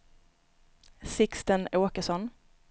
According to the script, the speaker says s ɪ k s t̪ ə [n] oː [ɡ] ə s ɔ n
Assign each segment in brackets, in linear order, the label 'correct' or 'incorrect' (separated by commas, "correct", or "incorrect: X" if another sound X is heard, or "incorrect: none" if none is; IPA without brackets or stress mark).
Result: correct, incorrect: k